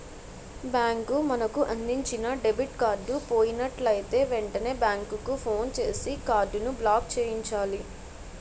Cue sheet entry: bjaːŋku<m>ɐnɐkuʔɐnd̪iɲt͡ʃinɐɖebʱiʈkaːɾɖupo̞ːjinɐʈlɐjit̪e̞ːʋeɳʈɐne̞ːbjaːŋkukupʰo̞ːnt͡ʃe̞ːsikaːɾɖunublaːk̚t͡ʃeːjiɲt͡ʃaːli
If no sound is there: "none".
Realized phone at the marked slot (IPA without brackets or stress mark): m